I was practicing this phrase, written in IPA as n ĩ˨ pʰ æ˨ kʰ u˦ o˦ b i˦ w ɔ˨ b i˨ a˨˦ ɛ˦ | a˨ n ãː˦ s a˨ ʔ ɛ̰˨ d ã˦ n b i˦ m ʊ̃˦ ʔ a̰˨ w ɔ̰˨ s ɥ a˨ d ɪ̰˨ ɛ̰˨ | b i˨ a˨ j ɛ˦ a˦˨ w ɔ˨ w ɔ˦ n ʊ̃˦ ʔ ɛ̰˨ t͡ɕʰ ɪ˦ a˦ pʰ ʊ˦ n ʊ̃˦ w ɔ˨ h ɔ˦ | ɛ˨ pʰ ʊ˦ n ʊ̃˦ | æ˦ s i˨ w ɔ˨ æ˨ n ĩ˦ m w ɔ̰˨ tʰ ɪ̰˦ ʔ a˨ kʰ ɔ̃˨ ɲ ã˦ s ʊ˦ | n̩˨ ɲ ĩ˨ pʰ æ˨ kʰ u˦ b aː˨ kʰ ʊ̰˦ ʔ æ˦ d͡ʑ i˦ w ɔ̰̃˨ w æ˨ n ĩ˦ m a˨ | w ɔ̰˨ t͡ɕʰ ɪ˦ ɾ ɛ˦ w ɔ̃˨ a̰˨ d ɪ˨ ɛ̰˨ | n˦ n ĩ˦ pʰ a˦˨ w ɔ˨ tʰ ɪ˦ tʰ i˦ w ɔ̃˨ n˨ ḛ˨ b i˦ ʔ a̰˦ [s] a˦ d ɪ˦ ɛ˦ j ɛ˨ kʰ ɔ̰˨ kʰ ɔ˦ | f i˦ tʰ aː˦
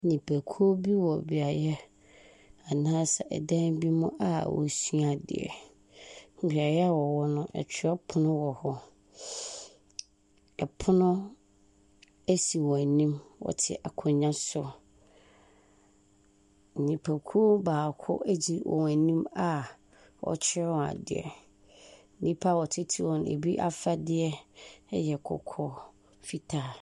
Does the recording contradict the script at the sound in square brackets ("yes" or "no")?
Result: yes